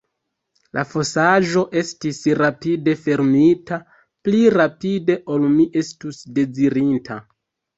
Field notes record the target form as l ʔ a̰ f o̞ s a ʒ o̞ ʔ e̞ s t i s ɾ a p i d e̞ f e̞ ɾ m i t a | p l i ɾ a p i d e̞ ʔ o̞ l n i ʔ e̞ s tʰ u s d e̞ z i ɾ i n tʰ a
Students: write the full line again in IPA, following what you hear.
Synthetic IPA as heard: l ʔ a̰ f o̞ s a ʒ o̞ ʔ e̞ s t i s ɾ a p i d e̞ f e̞ ɾ m i t a | p l i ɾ a p i d e̞ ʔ o̞ l m i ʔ e̞ s t u s d e̞ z i ɾ i n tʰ a